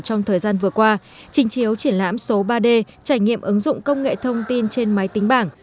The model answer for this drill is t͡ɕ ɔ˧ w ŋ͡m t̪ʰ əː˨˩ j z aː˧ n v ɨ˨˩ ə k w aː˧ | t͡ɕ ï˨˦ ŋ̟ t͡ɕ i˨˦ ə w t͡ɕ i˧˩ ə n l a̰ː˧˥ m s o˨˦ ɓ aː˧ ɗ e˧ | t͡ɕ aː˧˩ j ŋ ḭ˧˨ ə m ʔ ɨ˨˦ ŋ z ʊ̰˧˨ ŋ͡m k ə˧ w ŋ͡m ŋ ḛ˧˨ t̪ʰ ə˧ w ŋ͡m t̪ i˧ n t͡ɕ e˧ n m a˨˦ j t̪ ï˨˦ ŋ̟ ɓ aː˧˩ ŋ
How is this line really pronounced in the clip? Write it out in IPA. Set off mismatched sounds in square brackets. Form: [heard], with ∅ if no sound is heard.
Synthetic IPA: t͡ɕ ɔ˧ w ŋ͡m t̪ʰ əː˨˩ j z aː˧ n v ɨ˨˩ ə k w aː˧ | t͡ɕ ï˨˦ ŋ̟ t͡ɕ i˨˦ ə w t͡ɕ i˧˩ ə n l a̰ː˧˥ m s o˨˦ ɓ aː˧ ɗ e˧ | t͡ɕ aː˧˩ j ŋ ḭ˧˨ ə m ʔ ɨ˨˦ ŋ z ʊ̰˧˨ ŋ͡m k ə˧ w ŋ͡m ŋ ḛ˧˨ t̪ʰ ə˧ w ŋ͡m t̪ i˧ n t͡ɕ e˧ n m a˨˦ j t̪ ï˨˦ ŋ̟ ɓ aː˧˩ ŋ